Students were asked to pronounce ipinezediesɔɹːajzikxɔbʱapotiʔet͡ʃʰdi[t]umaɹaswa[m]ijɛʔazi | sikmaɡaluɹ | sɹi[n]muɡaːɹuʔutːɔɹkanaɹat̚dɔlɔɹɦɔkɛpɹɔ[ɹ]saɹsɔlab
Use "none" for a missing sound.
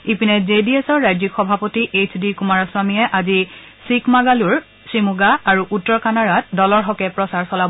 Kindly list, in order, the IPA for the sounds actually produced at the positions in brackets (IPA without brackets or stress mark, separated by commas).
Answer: k, m, none, none